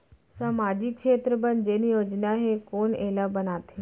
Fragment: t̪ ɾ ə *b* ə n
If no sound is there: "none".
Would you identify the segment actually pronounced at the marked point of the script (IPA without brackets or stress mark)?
b